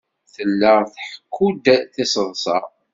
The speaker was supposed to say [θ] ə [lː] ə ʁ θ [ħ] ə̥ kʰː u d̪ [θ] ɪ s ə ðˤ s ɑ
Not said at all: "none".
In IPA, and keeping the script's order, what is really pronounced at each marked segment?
θ, lː, ħ, θ

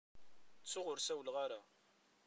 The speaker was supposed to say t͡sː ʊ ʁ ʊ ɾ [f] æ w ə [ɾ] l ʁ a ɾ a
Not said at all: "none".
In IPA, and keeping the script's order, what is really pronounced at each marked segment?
s, none

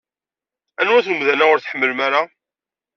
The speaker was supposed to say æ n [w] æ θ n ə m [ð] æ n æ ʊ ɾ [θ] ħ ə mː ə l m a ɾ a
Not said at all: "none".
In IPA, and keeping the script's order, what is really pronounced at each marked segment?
w, ð, θ

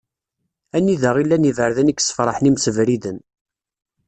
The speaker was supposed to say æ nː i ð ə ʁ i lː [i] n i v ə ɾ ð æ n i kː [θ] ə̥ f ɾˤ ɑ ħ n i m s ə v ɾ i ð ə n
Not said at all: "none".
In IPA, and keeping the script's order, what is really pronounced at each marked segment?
æ, s

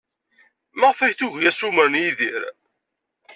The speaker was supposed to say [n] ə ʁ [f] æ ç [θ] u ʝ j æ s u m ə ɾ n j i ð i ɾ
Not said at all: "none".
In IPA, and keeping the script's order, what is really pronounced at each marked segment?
m, f, θ

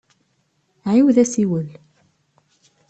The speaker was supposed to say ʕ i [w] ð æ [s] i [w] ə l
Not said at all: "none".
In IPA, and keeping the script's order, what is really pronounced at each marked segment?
w, s, w

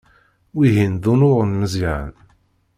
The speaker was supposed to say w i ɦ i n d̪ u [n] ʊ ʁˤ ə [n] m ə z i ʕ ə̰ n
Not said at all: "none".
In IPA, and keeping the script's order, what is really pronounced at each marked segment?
n, n

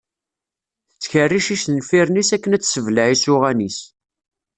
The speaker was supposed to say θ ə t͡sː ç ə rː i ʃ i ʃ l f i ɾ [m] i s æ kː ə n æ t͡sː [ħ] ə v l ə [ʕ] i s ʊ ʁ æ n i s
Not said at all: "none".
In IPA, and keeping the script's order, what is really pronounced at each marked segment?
n, s, ʕ

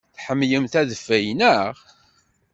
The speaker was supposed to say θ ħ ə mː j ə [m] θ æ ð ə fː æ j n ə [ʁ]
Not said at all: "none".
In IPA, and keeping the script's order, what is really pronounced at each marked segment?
m, ʁ

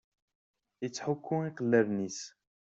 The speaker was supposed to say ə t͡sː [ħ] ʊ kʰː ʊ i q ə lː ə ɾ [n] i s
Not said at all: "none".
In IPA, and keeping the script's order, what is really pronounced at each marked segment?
ħ, n

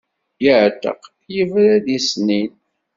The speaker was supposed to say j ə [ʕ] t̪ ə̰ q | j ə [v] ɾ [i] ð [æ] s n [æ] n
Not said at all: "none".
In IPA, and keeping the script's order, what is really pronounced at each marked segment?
ʕ, v, æ, i, i

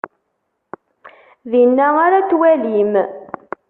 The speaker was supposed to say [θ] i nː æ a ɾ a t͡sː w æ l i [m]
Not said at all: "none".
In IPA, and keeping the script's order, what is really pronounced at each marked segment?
ð, m

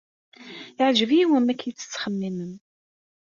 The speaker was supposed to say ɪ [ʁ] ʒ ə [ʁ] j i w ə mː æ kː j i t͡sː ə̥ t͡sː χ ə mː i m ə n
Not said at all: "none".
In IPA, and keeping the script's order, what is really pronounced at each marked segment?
ʕ, v

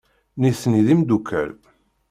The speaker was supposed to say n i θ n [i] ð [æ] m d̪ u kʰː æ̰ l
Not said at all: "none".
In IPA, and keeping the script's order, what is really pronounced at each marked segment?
i, i

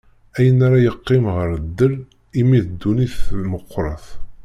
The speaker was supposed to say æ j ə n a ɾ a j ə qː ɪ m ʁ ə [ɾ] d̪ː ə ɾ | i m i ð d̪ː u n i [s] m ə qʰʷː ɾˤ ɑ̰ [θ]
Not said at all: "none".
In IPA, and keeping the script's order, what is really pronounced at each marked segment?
ɾ, θ, θ

